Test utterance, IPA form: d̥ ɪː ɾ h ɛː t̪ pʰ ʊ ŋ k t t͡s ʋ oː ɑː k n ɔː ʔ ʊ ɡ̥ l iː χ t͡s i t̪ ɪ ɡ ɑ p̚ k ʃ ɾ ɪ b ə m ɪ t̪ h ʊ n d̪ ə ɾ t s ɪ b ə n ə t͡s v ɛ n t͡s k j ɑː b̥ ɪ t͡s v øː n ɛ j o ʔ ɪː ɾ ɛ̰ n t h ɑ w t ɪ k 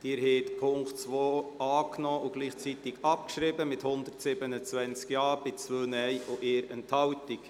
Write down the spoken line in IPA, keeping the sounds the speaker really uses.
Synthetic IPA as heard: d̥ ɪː ɾ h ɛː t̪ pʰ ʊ ŋ k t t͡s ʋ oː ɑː k n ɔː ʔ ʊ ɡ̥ l iː χ t͡s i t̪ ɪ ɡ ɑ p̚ k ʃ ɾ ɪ b ə m ɪ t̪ h ʊ n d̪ ə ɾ t s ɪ b ə n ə t͡s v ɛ n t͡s k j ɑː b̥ ɪ t͡s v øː n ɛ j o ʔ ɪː ɾ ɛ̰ n t h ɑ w t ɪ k